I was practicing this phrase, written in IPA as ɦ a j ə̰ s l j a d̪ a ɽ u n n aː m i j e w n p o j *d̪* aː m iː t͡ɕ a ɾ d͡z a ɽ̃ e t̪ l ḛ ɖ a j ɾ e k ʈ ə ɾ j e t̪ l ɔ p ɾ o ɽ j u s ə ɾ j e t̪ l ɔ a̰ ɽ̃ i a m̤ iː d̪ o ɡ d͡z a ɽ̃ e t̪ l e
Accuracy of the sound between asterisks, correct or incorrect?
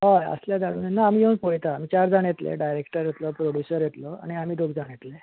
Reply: incorrect